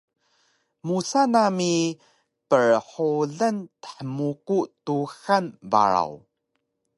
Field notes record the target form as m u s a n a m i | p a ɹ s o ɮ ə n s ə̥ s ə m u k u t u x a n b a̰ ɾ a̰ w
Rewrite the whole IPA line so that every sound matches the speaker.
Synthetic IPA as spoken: m u s a n a m i | p ə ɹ ħ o ɮ ə n t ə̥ ħ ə m u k u t u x a n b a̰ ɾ a̰ w